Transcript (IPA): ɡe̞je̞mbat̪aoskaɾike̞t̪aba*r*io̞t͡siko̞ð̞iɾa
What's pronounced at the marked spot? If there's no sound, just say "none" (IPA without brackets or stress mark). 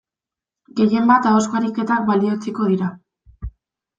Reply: l